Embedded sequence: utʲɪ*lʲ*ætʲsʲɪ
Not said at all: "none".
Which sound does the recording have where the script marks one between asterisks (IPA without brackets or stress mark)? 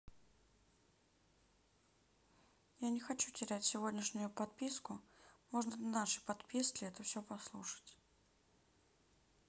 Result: ɾʲ